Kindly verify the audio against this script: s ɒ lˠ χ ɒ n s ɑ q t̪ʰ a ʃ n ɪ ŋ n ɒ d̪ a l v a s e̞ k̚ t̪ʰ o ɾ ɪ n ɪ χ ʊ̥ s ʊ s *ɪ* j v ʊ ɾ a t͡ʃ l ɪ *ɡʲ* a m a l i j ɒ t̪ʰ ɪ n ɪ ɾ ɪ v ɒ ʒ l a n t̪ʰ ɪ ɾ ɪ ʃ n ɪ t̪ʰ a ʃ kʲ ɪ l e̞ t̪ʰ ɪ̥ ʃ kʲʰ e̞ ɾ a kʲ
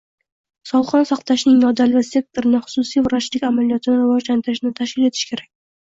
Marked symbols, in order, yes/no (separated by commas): no, no